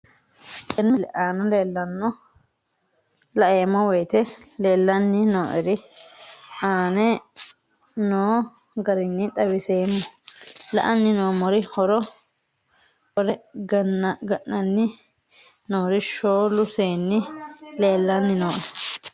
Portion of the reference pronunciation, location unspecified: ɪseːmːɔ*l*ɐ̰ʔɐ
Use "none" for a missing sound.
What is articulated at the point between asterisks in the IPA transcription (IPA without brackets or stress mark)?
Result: l